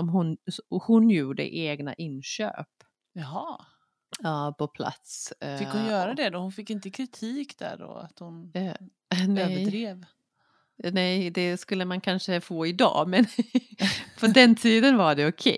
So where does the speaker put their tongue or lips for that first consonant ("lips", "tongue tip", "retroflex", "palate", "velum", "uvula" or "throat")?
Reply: lips